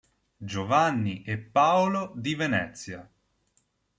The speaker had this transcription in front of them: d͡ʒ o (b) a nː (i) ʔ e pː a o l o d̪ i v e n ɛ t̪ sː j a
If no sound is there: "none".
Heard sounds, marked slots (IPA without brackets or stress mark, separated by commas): v, i